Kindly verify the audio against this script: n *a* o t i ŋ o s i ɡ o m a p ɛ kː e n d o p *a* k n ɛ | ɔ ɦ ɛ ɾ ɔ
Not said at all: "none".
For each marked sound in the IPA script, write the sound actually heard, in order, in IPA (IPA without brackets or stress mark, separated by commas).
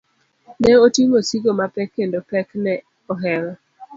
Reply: ɛ, ɛ